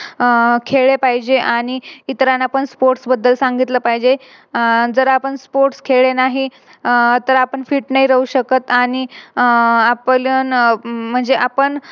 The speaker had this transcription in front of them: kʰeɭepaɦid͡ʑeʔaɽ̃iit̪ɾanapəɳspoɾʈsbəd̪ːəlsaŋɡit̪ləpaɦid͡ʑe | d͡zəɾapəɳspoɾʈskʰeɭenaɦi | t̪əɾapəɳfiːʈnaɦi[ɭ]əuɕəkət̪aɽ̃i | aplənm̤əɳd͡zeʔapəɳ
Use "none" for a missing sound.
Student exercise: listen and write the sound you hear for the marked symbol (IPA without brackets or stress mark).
ɾ